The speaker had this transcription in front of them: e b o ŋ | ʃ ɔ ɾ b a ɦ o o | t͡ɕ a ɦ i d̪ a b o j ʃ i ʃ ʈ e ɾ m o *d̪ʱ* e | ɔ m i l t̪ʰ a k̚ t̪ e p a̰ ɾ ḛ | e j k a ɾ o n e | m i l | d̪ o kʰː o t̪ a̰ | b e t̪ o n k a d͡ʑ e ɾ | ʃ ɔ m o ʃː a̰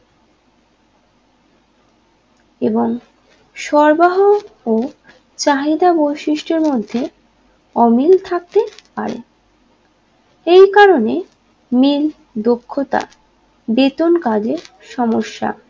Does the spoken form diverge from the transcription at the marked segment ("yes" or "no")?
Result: yes